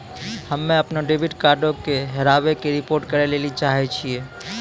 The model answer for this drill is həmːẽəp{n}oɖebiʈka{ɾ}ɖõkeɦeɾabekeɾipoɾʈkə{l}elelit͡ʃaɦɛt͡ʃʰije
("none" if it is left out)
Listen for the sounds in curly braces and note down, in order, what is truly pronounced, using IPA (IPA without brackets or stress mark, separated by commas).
n, ɾ, ɾ